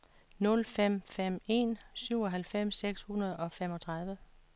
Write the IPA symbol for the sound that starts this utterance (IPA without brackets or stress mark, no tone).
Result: n